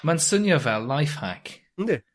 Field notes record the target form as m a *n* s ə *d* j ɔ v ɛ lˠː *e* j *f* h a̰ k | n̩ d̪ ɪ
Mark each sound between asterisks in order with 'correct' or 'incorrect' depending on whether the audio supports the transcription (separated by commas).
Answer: correct, incorrect, incorrect, correct